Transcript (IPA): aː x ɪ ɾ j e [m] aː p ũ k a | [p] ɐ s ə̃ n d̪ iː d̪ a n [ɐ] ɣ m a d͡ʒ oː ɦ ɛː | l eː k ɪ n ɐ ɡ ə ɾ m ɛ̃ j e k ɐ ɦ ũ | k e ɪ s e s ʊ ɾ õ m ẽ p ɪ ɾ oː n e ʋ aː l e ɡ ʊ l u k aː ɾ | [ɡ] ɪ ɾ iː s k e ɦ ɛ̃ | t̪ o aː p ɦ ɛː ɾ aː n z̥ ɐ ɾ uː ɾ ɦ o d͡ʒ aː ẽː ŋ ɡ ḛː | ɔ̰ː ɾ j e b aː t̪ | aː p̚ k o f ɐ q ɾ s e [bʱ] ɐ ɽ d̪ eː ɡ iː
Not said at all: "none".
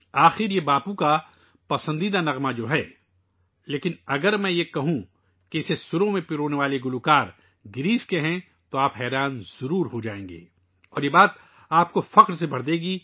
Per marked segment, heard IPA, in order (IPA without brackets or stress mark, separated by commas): b, p, ɐ, ɡ, bʱ